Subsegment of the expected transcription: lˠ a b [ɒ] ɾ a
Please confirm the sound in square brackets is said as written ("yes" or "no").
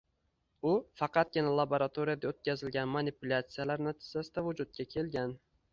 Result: no